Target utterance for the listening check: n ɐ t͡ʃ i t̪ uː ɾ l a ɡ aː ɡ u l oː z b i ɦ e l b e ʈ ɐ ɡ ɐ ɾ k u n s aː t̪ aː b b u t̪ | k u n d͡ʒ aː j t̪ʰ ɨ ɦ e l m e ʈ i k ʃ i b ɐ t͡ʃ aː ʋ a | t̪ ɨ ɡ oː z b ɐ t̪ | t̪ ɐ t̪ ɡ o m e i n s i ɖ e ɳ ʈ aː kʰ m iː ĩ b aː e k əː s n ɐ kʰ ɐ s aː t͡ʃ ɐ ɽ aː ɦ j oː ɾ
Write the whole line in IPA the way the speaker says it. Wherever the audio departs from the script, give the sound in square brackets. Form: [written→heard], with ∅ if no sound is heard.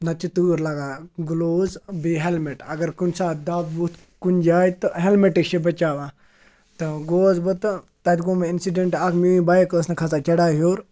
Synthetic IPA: n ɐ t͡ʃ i t̪ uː ɾ l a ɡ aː ɡ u l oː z b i ɦ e l [b→m] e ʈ ɐ ɡ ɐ ɾ k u n s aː [t̪→d̪] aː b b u t̪ | k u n d͡ʒ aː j [t̪ʰ→t̪] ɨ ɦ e l m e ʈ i k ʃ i b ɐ t͡ʃ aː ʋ a | t̪ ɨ ɡ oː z b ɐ t̪ | t̪ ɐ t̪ ɡ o m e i n s i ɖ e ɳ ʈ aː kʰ m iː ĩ b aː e k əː s n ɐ kʰ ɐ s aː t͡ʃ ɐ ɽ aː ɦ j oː ɾ